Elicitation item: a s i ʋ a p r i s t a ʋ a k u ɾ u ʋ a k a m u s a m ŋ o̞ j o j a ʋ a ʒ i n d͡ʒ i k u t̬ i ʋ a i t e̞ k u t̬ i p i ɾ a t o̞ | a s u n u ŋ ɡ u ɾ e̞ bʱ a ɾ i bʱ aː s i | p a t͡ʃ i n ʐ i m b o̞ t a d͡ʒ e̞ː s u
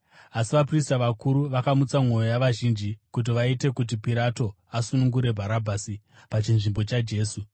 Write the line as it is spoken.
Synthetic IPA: a s i ʋ a p r i s t a ʋ a k u ɾ u ʋ a k a m u t͡s a m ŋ o̞ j o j a ʋ a ʒ i n d͡ʒ i k u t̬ i ʋ a i t e̞ k u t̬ i p i ɾ a t o̞ | a s u n u ŋ ɡ u ɾ e̞ bʱ a ɾ a bʱ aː s i | p a t͡ʃ i n ʐ i m b o̞ t͡ʃ a d͡ʒ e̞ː s u